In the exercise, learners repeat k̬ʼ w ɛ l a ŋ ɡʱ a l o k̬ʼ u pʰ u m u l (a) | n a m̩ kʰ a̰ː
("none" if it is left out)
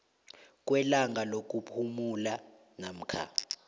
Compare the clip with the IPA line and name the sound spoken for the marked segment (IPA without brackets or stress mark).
a